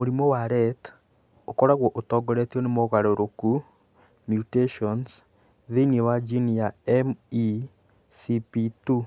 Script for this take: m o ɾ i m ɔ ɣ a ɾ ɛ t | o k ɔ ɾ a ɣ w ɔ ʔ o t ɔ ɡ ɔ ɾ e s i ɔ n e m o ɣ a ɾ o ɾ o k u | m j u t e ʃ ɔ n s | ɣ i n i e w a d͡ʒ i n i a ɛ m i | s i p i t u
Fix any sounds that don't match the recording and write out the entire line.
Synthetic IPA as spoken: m o ɾ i m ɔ w a ɾ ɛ t | o k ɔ ɾ a ɣ w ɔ ʔ o t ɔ ɡ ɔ ɾ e t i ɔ n e m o ɣ a ɾ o ɾ o k u | m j u t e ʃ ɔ n s | ð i n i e w a d͡ʒ i n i a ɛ m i | s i p i t u